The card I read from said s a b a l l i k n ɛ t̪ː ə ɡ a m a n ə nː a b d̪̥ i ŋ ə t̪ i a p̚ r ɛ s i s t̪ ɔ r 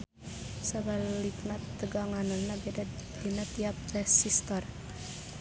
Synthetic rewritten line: s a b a l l i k n a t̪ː ə ɡ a ŋ a n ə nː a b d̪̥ i n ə t̪ i a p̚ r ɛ s i s t̪ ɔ r